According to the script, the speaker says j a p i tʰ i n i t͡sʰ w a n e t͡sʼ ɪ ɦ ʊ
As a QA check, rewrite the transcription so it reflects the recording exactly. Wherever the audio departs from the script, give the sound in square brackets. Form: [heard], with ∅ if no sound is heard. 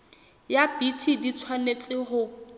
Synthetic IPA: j a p i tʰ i [d] i t͡sʰ w a n e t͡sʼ ɪ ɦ ʊ